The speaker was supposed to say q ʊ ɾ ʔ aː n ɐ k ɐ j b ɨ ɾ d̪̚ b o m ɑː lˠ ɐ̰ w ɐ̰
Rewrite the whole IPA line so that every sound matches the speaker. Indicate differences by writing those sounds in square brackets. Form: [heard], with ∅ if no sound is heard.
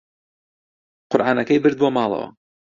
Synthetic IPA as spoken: q ʊ ɾ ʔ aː n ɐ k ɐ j b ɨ ɾ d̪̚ b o m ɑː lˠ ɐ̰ w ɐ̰